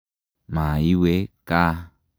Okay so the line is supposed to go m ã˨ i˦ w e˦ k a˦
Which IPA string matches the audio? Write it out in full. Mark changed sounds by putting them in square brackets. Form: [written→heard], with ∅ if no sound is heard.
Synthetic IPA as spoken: m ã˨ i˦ w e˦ k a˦

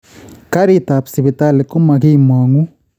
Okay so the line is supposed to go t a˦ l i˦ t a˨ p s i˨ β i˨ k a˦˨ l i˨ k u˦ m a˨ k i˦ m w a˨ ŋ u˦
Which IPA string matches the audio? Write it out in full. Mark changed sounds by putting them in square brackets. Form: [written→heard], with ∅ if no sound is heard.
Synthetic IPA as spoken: [t→k] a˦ [l→ɾ] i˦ t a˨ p s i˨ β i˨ [k→t] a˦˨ l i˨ k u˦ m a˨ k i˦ m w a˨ ŋ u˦

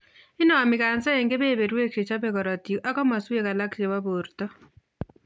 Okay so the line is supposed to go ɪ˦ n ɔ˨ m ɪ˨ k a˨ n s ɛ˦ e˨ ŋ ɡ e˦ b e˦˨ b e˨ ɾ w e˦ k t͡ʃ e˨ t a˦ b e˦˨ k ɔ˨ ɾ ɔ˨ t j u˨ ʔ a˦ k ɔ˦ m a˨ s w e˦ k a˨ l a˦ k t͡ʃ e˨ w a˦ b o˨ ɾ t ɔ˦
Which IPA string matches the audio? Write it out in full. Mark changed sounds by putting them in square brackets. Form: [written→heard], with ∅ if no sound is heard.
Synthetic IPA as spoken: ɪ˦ n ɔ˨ m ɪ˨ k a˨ n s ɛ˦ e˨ ŋ ɡ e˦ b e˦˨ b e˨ ɾ w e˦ k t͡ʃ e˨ [t→t͡ʃ] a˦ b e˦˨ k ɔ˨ ɾ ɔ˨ t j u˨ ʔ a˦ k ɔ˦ m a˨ s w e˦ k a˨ l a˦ k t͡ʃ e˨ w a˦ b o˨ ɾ t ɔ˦

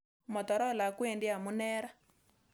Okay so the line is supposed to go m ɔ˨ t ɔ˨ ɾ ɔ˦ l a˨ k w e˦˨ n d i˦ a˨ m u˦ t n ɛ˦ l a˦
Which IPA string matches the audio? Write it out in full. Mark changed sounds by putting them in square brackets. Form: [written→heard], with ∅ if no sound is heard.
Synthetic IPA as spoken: m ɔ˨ t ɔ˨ ɾ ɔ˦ l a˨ k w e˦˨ n d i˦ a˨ m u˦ [t→∅] n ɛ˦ [l→ɾ] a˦

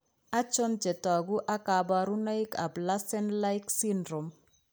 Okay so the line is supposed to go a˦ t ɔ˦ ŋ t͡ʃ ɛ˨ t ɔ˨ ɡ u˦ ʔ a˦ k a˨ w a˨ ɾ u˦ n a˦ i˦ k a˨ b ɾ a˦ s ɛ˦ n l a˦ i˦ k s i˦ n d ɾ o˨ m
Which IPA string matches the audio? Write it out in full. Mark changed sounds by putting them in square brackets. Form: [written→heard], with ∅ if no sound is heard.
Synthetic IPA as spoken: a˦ [t→t͡ʃ] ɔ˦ [ŋ→n] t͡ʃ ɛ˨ t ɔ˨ ɡ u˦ ʔ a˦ k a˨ [w→b] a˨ ɾ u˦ n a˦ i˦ k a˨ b [ɾ→l] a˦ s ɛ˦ n l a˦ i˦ k s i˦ n d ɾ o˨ m

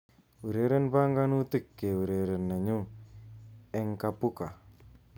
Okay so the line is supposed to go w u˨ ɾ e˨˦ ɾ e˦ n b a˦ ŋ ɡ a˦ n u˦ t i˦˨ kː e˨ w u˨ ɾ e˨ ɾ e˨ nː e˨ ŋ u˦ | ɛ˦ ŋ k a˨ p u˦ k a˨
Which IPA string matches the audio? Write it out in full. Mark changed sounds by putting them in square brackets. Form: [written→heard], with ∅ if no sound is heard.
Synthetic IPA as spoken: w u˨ ɾ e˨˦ ɾ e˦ n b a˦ ŋ ɡ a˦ n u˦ t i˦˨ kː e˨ w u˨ ɾ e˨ ɾ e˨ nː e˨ [ŋ→ɲ] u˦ | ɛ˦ ŋ k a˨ p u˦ k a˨

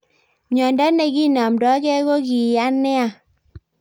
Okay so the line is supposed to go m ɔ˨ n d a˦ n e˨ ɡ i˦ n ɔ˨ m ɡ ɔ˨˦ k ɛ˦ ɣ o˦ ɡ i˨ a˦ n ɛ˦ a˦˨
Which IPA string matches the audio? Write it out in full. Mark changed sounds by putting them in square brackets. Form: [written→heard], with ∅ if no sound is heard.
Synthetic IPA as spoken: [m→ɲ] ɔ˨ n d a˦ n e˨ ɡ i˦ n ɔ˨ m [ɡ→d] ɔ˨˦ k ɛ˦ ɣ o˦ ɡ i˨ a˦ n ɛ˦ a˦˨

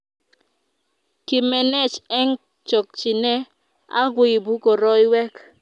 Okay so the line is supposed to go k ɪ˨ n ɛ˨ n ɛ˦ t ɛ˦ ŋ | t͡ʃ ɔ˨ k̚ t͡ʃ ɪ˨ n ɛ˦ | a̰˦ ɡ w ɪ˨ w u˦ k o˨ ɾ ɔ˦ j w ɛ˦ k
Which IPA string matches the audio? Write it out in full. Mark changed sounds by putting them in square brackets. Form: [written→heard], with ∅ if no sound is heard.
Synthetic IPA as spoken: k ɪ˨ [n→m] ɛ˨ n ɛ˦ [t→t͡ʃ] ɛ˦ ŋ | t͡ʃ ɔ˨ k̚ t͡ʃ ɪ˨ n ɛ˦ | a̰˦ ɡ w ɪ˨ [w→b] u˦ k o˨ ɾ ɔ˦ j w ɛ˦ k

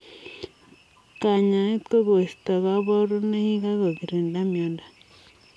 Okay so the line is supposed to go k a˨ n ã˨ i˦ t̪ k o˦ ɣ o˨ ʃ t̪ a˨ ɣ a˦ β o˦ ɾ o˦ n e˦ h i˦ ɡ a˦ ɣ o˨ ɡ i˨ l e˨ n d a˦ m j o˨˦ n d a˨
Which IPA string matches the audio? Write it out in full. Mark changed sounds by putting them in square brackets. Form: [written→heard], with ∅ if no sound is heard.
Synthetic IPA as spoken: k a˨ [n→ɲ] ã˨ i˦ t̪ k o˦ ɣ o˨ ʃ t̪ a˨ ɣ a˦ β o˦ ɾ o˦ n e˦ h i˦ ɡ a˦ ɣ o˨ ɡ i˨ [l→ɾ] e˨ n d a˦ m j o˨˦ n d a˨

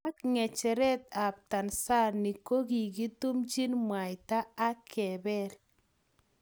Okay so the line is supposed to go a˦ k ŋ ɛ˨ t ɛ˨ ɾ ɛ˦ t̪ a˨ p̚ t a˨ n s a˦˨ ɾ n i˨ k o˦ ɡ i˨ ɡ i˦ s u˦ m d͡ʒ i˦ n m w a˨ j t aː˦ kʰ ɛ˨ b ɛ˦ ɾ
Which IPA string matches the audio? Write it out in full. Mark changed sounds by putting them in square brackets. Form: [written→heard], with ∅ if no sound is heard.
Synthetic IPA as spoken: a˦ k ŋ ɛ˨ [t→t͡ʃ] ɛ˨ ɾ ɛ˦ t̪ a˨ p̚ t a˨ n s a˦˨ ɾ n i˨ k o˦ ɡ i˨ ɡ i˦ [s→t] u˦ m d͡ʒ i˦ n m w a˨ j t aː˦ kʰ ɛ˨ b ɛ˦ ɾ

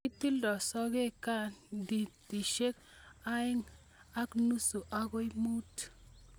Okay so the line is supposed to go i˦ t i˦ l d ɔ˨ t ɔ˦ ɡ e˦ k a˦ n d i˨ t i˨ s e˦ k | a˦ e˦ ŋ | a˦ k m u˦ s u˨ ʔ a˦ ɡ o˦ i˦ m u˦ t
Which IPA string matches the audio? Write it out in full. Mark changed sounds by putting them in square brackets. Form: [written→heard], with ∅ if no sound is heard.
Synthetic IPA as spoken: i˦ t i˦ l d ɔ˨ [t→s] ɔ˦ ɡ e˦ k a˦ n d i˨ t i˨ [s→ʃ] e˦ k | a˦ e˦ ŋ | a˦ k [m→n] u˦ s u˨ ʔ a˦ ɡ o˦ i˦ m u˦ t

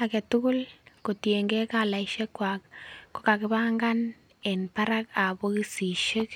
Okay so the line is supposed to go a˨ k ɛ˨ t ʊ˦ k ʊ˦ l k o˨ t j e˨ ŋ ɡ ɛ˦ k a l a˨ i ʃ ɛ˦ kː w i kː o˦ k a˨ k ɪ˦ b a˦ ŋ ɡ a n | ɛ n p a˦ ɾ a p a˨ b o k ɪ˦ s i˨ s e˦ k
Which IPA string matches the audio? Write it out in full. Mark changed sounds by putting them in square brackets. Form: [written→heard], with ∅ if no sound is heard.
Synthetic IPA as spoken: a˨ k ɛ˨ t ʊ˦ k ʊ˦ l k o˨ t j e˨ ŋ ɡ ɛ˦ k a l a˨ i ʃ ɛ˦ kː w [i→a] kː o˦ k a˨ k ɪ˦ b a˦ ŋ ɡ a n | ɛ n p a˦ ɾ a [p→k] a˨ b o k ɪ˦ s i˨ [s→ʃ] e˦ k

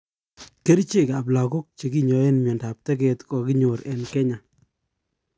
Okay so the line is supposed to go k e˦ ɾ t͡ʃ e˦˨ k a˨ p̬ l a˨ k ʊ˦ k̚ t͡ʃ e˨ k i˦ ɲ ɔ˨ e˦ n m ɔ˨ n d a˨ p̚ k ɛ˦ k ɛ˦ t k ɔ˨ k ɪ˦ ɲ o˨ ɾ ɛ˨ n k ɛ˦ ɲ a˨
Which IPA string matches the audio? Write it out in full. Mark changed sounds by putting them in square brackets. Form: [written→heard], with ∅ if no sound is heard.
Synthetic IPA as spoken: k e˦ ɾ t͡ʃ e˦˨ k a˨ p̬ l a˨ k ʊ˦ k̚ t͡ʃ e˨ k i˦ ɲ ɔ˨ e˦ n m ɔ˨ n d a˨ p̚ [k→t] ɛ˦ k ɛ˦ t k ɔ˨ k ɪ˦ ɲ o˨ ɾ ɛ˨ n k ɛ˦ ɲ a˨

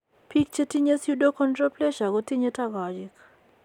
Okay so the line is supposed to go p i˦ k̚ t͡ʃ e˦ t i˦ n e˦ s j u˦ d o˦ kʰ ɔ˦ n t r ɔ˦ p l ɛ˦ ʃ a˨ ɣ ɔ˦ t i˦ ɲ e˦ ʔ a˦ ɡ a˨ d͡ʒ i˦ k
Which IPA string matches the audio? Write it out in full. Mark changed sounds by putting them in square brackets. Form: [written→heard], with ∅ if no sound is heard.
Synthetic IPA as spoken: p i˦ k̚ t͡ʃ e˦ t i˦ [n→ɲ] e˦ s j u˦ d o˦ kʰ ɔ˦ n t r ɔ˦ p l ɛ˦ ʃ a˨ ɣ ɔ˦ t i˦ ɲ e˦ [ʔ→t] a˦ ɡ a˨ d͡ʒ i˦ k

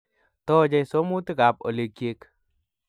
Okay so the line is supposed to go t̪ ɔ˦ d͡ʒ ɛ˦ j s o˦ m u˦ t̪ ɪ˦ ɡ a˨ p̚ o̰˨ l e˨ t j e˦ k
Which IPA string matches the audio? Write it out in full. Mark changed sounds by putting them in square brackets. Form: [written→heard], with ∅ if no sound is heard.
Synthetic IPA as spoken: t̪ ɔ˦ d͡ʒ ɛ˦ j s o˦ m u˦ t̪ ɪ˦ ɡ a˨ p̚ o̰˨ l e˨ [t→k] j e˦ k

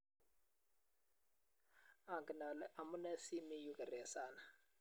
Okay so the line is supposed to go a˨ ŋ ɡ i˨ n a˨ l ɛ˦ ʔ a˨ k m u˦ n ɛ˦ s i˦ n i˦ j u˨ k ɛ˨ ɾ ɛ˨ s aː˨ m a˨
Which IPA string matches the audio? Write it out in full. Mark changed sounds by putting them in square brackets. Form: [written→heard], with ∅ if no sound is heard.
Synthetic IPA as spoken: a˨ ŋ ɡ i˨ n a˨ l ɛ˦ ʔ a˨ [k→∅] m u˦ n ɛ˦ s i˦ [n→m] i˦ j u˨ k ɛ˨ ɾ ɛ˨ s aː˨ [m→n] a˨

